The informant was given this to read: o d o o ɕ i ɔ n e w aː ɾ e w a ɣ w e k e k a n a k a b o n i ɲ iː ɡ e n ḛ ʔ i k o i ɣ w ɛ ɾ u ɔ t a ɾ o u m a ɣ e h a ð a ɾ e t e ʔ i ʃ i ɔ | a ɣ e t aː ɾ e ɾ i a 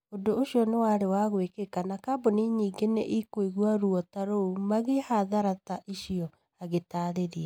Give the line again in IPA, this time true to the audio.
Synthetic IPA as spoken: o d o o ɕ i ɔ n e w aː ɾ e w a ɣ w e k e k a n a k a b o n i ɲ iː ɡ e n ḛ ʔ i k o i ɣ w a ɾ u ɔ t a ɾ o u m a ɣ e h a ð a ɾ a t a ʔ i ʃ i ɔ | a ɣ e t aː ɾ e ɾ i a